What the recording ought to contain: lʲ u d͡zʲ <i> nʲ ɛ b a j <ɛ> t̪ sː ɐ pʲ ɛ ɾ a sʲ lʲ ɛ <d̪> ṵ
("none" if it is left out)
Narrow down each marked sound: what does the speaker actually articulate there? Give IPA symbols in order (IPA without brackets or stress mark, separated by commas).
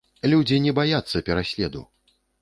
i, a, d̪